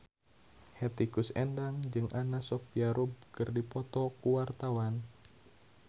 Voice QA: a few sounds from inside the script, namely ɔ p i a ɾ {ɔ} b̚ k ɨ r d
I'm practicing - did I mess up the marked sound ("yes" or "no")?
yes